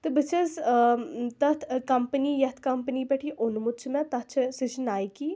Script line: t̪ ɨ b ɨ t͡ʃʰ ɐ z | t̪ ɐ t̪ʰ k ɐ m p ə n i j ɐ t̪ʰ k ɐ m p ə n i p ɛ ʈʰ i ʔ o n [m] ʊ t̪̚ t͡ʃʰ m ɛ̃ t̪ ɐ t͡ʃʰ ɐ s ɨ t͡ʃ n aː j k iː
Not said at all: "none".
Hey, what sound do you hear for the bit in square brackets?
m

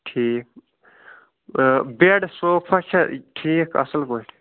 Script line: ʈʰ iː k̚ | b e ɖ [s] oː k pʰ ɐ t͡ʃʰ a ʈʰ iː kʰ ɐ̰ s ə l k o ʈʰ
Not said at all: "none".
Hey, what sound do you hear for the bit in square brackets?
s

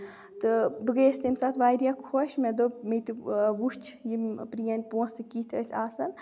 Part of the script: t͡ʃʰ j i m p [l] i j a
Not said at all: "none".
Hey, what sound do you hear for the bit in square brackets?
ɾ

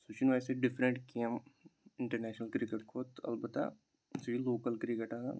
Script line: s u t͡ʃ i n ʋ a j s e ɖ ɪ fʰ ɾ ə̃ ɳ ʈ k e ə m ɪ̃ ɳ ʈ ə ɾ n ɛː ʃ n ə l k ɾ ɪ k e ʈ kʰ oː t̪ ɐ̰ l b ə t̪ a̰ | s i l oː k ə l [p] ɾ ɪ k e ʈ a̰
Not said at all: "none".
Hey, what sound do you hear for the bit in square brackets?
k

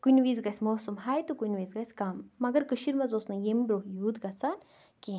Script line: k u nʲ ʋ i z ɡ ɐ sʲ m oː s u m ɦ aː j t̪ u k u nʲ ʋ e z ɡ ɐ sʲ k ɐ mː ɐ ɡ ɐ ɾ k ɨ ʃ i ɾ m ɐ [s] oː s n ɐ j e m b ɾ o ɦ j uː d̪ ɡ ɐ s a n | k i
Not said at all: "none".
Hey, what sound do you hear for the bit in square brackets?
z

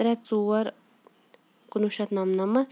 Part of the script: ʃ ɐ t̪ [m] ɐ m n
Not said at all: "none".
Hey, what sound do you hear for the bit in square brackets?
n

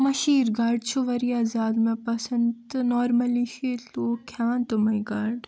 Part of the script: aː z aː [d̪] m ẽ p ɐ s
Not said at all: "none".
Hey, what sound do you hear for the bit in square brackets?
d̪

